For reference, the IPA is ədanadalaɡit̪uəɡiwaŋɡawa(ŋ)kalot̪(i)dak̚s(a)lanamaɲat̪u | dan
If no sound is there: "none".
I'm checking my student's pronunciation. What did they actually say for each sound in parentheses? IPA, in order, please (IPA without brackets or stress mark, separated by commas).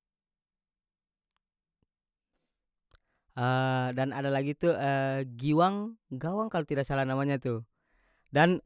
ŋ, i, a